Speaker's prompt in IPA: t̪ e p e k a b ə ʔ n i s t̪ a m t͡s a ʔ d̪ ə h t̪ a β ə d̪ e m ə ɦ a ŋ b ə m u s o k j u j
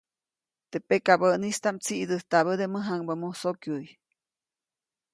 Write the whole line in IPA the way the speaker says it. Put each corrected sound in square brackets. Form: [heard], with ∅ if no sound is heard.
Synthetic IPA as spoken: t̪ e p e k a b ə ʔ n i s t̪ a m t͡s [i] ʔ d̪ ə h t̪ a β ə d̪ e m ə ɦ a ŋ b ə m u s o k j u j